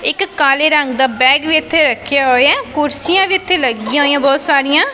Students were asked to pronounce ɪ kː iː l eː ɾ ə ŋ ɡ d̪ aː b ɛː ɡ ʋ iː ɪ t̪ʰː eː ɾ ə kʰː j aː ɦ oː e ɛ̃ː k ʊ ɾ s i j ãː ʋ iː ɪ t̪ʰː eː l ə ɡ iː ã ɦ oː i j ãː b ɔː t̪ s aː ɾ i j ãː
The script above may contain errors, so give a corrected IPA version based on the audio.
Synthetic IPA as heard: ɪ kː aː l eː ɾ ə ŋ ɡ d̪ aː b ɛː ɡ ʋ iː ɪ t̪ʰː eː ɾ ə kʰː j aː ɦ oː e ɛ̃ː k ʊ ɾ s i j ãː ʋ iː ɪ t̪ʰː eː l ə ɡ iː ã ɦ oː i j ãː b ɔː t̪ s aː ɾ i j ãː